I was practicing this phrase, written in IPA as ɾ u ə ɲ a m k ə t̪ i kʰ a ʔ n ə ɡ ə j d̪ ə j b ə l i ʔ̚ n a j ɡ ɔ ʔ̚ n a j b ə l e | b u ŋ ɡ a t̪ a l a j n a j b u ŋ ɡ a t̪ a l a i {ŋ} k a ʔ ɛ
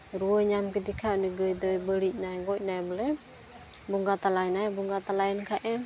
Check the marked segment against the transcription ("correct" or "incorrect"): incorrect